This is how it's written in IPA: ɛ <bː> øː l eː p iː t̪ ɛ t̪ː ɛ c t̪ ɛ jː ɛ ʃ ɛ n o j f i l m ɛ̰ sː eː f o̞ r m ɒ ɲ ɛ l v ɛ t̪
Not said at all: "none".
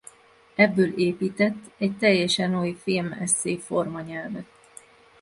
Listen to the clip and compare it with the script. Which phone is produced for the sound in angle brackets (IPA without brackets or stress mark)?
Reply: bː